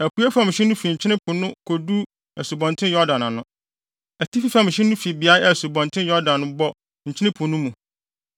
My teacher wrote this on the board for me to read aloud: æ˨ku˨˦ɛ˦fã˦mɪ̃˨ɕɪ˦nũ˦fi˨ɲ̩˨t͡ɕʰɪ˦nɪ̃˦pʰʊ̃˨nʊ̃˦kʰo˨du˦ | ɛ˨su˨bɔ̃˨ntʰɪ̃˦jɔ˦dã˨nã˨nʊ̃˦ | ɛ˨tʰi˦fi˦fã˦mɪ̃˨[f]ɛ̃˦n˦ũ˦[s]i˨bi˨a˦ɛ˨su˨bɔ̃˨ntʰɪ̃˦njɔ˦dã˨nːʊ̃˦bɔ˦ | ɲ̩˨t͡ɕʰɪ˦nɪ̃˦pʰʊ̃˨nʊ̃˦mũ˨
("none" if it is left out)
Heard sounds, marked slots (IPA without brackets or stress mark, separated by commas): ɕ, f